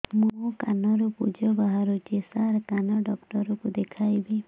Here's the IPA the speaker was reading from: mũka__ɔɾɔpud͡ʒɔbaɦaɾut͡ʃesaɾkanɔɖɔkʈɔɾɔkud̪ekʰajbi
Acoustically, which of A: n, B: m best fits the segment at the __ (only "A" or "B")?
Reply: A